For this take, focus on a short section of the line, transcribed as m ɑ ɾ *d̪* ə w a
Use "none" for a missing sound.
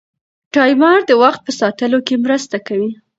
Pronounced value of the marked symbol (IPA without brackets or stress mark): d̪